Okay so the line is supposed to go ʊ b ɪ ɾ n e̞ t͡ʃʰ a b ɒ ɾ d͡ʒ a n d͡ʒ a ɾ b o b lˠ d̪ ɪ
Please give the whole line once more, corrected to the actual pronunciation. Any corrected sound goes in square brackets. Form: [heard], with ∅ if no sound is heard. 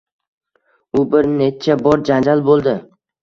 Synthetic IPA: ʊ b ɪ ɾ n e̞ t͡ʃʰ a b ɒ ɾ d͡ʒ a n d͡ʒ a [l] b o [∅] lˠ d̪ ɪ